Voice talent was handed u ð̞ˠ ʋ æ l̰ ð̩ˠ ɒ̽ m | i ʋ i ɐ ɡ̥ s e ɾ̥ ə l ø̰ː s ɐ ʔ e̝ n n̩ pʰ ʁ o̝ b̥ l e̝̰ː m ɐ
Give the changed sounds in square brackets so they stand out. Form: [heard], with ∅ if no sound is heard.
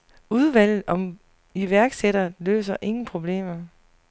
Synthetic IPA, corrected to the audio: u ð̞ˠ ʋ æ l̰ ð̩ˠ ɒ̽ m | i ʋ [æ] ɐ ɡ̥ s e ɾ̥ [ɐ] l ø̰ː s ɐ ʔ e̝ [ŋ] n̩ pʰ ʁ o̝ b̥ l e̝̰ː m ɐ